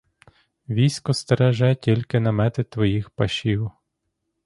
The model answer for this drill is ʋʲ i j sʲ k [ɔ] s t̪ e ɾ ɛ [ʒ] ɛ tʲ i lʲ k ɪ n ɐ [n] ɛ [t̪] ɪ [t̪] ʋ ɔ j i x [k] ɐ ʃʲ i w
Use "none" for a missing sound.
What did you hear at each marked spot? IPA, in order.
ɔ, ʒ, m, t̪, t̪, p

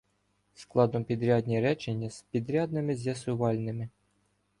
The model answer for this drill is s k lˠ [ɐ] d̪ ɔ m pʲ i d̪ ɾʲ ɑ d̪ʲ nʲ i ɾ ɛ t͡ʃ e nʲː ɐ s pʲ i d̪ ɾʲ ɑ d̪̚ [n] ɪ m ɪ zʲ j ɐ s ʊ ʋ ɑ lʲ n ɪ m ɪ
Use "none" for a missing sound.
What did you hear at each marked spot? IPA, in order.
ɑ, n

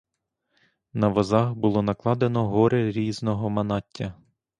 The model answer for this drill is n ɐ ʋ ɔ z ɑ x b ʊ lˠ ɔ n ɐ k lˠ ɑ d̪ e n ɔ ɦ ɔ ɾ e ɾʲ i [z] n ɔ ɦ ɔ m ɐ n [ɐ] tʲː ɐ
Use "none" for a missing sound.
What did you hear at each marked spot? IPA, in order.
z, ɑ

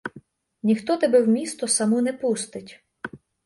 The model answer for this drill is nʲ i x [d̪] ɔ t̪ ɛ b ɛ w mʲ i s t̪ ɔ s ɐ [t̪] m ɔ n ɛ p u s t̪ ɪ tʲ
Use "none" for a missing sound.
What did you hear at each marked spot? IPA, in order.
t̪, none

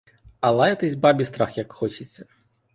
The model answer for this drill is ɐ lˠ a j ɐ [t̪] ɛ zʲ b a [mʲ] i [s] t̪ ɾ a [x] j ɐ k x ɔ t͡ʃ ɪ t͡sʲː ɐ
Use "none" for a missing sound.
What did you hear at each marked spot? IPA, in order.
t̪, bʲ, s, x

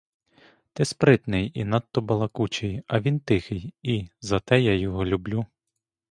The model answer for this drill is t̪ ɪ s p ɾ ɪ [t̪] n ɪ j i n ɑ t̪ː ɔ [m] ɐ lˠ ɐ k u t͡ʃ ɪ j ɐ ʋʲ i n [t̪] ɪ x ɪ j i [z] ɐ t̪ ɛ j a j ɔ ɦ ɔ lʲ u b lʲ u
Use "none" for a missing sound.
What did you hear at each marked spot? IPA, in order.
t̪, b, t̪, z

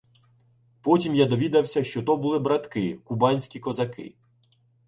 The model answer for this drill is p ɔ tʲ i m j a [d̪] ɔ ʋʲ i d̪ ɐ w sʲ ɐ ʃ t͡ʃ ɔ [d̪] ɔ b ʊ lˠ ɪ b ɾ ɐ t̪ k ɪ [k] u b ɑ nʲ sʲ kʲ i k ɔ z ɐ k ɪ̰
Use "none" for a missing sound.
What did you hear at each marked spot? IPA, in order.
d̪, t̪, k

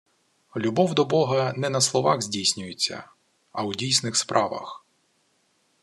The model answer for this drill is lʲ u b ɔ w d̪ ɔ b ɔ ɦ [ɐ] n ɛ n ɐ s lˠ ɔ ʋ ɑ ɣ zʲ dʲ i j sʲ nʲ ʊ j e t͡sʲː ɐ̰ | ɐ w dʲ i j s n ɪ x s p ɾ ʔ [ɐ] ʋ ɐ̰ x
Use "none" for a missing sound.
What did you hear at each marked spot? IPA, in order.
ɐ, ɑ

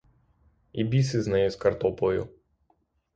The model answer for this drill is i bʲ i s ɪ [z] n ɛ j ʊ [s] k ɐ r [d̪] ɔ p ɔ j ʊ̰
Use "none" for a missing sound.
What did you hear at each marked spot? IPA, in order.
z, s, t̪

